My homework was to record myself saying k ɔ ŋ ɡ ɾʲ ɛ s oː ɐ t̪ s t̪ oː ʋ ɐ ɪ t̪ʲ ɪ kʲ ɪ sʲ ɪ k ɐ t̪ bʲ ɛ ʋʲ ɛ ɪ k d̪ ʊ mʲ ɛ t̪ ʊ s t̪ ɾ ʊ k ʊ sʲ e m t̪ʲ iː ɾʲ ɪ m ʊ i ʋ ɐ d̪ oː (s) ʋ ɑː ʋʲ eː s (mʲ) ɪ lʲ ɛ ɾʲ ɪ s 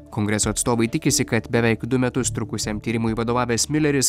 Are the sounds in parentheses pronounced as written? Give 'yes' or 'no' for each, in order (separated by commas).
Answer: no, yes